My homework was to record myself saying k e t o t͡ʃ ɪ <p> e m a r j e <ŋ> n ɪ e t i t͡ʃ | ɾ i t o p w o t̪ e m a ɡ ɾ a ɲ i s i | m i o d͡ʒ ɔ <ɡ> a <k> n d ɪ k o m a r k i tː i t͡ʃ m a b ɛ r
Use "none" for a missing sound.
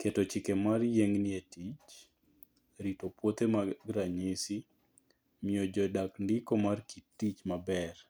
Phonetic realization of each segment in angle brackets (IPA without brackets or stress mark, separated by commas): k, ŋ, d, k